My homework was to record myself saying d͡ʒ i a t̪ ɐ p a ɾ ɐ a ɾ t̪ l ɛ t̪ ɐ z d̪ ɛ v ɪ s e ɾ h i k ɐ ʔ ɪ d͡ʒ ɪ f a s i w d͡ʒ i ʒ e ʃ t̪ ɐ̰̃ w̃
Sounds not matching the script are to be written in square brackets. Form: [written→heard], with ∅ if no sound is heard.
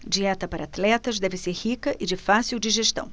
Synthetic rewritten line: d͡ʒ i [a→ɛ] t̪ ɐ p a ɾ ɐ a [ɾ→∅] t̪ l ɛ t̪ ɐ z d̪ ɛ v ɪ s e ɾ h i k ɐ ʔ ɪ d͡ʒ ɪ f a s i w d͡ʒ i ʒ e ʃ t̪ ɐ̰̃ w̃